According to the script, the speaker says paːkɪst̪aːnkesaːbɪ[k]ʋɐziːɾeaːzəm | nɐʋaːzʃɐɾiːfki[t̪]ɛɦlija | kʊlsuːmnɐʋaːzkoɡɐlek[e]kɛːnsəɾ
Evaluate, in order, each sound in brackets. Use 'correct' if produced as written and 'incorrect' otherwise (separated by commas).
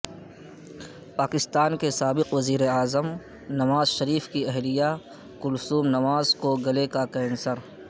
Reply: incorrect, incorrect, incorrect